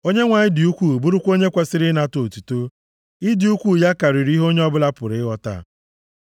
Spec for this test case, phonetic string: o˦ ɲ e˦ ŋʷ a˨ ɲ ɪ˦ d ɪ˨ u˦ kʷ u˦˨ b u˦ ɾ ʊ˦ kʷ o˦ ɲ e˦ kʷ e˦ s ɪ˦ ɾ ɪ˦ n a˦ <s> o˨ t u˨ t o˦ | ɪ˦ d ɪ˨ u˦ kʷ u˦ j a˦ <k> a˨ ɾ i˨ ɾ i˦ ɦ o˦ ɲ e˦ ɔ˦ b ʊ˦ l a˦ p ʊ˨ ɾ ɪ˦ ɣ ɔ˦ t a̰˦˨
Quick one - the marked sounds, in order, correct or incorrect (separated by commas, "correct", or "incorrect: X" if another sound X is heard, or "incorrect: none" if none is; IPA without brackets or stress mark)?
incorrect: t, correct